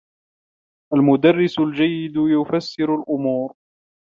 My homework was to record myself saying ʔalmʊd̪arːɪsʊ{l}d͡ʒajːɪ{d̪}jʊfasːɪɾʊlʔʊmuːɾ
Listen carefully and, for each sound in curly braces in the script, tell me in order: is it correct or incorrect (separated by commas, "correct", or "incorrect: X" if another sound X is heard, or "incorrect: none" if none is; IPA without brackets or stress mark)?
correct, correct